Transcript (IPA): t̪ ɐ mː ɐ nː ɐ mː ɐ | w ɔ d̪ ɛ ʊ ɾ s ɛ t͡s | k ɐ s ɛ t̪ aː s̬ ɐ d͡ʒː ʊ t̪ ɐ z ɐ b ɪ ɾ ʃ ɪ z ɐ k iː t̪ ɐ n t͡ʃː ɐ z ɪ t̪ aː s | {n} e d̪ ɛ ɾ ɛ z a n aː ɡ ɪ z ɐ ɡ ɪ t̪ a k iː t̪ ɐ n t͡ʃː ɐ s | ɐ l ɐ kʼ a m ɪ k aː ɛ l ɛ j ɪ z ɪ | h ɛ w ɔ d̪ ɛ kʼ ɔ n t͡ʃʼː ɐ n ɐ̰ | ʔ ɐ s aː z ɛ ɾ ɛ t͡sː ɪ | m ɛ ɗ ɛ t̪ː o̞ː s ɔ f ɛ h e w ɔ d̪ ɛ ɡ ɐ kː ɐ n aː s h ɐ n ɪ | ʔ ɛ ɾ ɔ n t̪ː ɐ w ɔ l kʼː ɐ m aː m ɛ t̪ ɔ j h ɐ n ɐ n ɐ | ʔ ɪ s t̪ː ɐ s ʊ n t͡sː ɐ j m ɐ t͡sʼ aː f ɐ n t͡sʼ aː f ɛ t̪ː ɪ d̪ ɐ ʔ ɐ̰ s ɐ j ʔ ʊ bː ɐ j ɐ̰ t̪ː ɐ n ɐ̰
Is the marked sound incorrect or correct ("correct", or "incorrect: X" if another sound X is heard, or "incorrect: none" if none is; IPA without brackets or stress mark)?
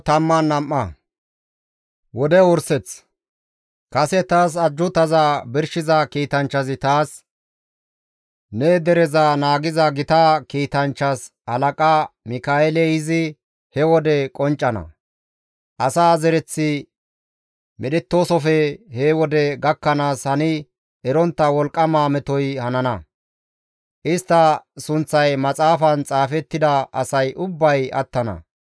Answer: correct